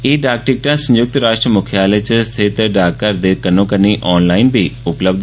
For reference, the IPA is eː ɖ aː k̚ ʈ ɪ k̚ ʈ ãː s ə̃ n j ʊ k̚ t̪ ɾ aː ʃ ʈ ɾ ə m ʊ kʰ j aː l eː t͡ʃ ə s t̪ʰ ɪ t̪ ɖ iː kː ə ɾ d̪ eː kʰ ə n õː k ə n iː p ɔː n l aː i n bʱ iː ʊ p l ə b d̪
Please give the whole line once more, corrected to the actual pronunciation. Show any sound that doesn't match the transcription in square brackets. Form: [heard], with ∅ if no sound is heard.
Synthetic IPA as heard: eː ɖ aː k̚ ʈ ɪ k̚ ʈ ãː s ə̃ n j ʊ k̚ t̪ ɾ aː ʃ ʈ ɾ ə m ʊ kʰ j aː l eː t͡ʃ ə s t̪ʰ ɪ t̪ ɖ [aː] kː ə ɾ d̪ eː [k] ə n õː k ə n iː [ʔ] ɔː n l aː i n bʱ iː ʊ p l ə b d̪